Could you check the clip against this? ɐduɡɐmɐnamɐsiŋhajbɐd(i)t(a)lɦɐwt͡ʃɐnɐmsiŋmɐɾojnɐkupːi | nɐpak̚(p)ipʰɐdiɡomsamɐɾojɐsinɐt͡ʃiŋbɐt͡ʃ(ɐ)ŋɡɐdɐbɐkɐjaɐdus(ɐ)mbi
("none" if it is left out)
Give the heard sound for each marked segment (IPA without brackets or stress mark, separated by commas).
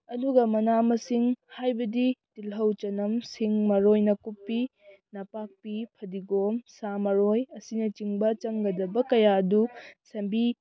i, i, p, ɐ, ɐ